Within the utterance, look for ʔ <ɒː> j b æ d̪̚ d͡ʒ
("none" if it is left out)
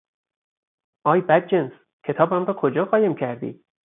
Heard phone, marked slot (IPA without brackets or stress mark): ɒː